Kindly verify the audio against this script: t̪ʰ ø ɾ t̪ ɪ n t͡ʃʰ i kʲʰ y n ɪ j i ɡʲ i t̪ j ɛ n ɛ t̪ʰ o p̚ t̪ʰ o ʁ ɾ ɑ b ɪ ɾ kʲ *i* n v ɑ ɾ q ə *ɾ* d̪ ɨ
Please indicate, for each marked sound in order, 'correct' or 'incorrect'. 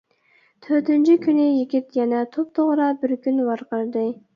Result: incorrect, correct

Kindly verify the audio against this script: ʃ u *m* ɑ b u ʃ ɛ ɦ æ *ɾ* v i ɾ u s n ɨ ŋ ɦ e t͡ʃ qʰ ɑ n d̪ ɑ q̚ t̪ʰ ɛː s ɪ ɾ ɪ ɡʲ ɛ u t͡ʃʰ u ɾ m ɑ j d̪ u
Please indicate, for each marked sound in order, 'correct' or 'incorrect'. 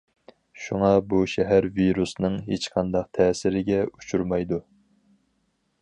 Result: incorrect, correct

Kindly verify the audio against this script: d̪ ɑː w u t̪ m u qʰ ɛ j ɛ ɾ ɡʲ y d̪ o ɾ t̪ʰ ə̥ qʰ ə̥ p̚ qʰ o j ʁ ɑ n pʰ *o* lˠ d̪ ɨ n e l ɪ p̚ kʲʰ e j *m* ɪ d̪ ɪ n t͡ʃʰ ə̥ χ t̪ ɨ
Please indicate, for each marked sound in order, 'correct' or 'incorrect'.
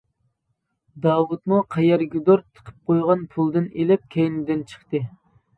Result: incorrect, incorrect

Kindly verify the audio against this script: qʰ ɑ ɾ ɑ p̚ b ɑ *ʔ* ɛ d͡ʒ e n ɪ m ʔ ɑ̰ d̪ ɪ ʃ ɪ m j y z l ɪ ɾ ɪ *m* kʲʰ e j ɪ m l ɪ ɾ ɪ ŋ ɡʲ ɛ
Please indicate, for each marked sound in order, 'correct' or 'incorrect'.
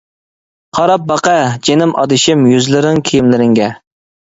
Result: incorrect, incorrect

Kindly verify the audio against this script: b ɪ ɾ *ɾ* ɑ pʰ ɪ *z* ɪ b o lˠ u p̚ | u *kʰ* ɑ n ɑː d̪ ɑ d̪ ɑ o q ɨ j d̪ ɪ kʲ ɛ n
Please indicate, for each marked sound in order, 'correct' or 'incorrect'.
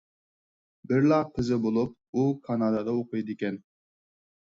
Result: incorrect, correct, correct

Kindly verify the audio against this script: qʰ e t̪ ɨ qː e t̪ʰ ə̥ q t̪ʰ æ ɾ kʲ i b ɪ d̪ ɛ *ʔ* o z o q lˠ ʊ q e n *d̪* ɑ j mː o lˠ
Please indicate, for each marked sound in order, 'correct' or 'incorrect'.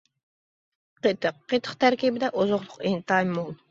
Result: correct, incorrect

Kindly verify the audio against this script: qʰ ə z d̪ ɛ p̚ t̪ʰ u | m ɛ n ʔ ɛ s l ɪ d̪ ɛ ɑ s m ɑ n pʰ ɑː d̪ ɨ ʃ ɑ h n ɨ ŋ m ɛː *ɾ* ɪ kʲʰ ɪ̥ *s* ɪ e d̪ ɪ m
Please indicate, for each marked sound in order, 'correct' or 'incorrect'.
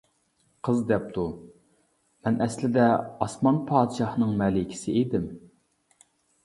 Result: incorrect, correct

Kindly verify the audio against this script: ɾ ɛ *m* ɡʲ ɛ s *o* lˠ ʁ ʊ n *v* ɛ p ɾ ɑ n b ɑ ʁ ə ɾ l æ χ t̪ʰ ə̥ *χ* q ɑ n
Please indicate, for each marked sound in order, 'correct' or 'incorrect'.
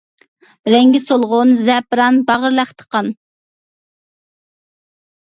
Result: incorrect, correct, incorrect, incorrect

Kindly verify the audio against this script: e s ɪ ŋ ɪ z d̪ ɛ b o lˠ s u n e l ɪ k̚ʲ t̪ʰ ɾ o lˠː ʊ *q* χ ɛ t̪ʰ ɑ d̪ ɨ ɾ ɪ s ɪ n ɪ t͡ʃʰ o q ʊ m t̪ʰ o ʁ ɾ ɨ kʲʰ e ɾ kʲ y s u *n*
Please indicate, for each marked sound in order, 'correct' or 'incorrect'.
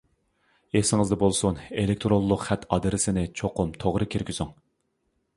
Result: correct, incorrect

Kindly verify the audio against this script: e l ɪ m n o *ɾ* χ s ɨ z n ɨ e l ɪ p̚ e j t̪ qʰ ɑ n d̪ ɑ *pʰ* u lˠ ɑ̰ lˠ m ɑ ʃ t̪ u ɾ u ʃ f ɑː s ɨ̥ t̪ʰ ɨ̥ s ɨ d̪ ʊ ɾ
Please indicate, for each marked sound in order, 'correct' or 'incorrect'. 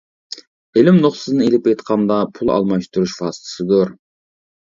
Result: incorrect, correct

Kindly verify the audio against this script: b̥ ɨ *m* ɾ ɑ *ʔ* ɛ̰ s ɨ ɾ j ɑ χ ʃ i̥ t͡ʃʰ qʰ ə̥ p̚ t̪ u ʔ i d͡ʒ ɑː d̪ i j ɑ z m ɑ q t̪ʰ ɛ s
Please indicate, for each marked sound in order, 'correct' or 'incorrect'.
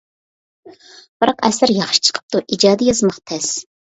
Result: incorrect, incorrect

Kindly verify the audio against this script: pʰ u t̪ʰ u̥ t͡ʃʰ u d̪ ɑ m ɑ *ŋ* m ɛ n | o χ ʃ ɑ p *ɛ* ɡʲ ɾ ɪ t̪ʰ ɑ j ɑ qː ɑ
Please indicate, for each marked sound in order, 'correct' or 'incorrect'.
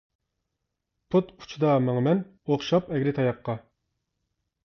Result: correct, correct

